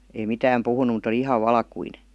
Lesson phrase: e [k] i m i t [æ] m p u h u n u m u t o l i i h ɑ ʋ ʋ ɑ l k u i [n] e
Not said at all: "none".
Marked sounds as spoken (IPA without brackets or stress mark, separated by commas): none, æː, n